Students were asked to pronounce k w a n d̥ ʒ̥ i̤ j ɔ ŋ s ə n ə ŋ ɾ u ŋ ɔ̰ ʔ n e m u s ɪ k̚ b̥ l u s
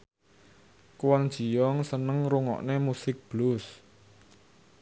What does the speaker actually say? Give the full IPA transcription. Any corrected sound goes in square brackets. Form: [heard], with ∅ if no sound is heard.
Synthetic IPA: k w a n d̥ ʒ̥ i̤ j ɔ ŋ s ə n ə ŋ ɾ u ŋ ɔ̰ ʔ n e m u s ɪ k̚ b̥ l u s